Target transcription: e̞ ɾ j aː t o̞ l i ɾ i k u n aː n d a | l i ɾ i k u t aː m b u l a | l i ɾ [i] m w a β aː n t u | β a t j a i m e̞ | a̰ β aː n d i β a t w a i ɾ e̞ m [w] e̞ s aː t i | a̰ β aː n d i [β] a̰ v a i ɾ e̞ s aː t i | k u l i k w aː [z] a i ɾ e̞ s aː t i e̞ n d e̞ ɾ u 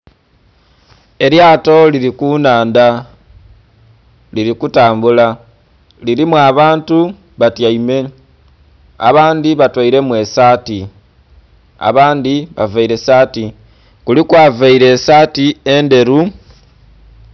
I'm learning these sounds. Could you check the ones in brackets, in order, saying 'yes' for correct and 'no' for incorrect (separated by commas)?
yes, yes, yes, no